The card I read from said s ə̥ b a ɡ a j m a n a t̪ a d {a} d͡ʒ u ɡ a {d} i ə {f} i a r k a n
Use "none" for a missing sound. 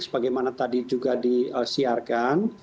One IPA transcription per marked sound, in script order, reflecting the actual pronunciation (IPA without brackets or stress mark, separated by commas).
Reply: i, d, s